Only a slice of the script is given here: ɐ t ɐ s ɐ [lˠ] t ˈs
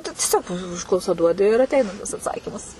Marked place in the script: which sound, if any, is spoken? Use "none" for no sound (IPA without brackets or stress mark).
none